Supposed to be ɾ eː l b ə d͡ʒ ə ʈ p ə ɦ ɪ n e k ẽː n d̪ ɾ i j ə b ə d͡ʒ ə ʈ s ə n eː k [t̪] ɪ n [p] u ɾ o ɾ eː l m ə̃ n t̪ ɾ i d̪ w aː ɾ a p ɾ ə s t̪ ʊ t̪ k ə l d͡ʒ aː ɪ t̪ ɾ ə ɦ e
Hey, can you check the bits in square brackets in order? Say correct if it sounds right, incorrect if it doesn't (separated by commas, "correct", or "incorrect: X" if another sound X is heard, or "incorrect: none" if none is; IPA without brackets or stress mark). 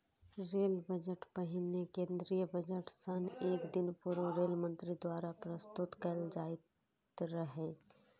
incorrect: d̪, correct